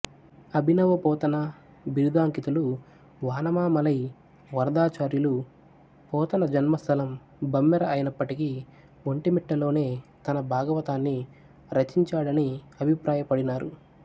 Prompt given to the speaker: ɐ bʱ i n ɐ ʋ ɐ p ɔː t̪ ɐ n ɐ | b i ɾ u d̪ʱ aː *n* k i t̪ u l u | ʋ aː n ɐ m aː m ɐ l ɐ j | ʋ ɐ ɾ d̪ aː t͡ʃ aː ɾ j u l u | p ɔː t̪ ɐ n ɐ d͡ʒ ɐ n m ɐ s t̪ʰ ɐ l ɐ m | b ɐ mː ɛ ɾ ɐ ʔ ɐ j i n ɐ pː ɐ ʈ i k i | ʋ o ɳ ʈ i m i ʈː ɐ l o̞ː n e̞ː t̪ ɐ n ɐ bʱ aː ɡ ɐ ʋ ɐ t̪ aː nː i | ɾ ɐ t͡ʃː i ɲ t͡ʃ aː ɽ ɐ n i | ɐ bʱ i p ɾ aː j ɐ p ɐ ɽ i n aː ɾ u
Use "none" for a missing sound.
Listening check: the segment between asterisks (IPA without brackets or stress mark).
ŋ